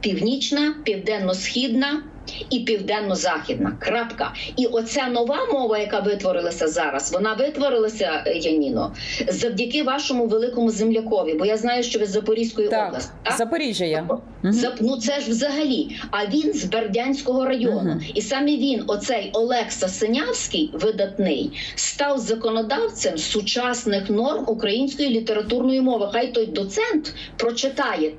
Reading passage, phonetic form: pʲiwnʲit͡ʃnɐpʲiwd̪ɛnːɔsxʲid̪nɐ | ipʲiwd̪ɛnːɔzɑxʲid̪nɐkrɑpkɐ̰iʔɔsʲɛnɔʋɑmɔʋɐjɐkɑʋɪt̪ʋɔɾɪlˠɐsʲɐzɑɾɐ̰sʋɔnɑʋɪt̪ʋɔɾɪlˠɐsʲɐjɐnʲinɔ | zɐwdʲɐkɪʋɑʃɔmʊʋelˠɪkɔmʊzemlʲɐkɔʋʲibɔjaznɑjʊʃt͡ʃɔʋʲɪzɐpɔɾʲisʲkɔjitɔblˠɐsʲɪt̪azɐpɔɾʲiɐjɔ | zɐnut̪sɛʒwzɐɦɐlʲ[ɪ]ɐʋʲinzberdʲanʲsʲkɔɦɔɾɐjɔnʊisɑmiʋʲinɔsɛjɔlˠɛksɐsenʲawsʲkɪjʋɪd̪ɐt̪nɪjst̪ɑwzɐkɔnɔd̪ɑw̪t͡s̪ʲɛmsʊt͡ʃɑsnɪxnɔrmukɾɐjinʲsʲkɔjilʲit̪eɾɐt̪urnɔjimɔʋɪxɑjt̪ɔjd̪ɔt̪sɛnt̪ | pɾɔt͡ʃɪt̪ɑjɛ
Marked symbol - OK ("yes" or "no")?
no